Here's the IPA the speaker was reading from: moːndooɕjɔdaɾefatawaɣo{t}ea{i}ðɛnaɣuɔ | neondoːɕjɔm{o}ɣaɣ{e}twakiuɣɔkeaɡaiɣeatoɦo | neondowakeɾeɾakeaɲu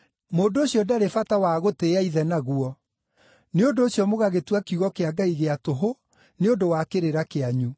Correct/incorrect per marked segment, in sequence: correct, correct, correct, correct

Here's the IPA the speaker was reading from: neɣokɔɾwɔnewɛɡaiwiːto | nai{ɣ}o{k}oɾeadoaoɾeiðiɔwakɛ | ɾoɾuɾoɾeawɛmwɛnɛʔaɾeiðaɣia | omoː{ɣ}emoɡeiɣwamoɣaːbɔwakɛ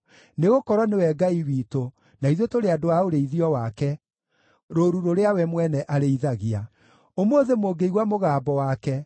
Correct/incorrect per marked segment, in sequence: incorrect, incorrect, incorrect

